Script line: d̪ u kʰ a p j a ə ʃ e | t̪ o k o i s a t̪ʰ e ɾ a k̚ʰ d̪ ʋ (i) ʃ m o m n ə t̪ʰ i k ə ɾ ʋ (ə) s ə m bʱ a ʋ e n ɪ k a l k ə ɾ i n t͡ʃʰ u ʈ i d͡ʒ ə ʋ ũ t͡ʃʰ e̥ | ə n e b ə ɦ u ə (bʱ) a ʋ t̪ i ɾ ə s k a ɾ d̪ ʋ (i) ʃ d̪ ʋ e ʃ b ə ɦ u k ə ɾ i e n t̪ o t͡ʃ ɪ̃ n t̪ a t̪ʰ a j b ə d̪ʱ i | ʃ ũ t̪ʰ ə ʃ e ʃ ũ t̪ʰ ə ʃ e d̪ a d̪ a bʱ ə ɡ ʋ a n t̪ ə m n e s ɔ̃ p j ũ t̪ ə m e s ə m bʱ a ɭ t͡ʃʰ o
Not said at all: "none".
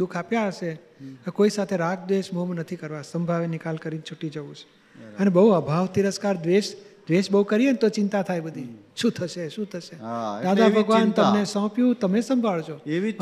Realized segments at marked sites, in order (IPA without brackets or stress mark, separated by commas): e, a, bʱ, e